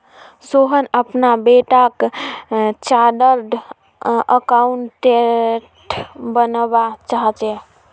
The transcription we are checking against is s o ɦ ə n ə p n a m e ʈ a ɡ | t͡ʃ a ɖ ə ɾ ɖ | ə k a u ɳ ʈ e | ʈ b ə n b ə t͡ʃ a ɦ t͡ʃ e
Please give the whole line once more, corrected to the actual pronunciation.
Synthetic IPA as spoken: s o ɦ ə n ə p n a b e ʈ a k | t͡ʃ a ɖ ə ɾ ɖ | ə k a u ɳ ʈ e | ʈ b ə n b a t͡ʃ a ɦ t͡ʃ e